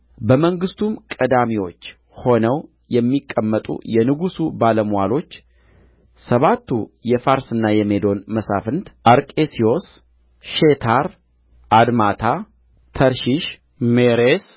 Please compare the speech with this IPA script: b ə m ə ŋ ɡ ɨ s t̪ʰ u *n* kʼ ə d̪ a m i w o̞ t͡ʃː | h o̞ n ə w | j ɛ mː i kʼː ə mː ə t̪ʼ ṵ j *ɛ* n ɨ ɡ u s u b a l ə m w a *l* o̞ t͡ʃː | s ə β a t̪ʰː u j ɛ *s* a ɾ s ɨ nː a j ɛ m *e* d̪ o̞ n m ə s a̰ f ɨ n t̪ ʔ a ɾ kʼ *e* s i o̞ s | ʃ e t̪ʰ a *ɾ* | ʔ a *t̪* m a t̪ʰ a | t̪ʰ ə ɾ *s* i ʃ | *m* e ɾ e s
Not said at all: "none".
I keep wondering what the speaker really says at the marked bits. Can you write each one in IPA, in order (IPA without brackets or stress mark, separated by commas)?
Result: m, ɛ, l, f, e, e, ɾ, d̪, ʃ, m